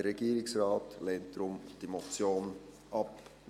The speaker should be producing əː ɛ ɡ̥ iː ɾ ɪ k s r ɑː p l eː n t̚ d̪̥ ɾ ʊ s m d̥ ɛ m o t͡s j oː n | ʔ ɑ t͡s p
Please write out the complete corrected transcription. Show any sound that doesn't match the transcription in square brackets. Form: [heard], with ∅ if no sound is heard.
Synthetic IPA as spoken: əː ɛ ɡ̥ iː ɾ ɪ k s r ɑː [t] l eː n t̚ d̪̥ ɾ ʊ [∅] m d̥ [i] m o t͡s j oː n | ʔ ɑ [∅] p